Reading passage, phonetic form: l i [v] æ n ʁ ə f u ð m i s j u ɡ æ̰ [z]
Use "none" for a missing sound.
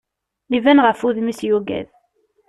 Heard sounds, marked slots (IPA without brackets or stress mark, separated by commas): v, ð